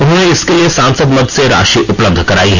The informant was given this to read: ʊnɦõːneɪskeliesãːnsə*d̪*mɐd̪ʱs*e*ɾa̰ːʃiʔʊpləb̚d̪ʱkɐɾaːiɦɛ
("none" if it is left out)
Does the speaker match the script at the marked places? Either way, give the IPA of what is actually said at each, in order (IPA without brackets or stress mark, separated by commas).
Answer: d̪, e